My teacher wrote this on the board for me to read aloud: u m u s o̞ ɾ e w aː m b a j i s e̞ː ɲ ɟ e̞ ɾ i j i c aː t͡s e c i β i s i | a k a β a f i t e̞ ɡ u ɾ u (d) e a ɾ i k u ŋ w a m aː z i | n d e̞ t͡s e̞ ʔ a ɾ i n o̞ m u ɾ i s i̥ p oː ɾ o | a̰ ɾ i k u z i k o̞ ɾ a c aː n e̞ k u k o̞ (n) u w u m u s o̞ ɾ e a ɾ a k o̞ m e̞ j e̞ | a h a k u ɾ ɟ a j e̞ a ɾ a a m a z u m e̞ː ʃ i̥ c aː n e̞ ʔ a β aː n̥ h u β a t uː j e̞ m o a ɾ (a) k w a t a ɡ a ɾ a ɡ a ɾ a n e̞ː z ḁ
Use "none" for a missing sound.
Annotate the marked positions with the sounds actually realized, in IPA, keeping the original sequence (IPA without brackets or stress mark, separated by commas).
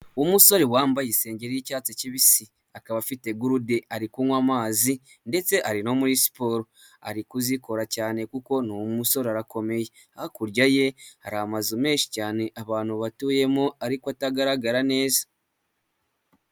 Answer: d, n, i